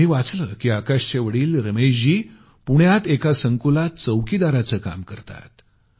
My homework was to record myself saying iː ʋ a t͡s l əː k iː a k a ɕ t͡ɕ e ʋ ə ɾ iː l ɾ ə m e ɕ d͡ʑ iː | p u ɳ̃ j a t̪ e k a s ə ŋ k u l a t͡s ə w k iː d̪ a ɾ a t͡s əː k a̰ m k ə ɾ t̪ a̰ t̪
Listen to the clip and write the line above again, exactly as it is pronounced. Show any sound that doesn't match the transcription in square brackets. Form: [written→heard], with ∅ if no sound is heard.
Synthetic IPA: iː ʋ a t͡s l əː k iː a k a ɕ t͡ɕ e ʋ ə [ɾ→ɽ] iː l ɾ ə m e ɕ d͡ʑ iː | p u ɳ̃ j a t̪ e k a s ə ŋ k u l a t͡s ə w k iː d̪ a ɾ a t͡s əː k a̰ m k ə ɾ t̪ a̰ t̪